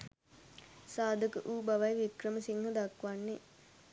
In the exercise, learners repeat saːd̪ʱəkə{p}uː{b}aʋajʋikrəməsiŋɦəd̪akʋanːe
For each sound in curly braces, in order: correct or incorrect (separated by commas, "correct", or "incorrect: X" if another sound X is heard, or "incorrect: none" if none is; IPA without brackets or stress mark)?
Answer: incorrect: ʔ, correct